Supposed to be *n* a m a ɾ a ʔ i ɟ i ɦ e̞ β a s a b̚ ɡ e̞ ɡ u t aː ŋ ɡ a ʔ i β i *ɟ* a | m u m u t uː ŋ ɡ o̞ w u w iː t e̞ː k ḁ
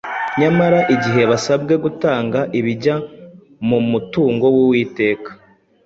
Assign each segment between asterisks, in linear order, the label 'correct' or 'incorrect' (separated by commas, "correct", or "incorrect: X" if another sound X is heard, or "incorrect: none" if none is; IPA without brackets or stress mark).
incorrect: ɲ, correct